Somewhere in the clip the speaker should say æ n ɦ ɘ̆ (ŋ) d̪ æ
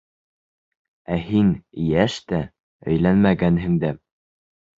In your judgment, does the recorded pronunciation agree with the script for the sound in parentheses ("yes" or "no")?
yes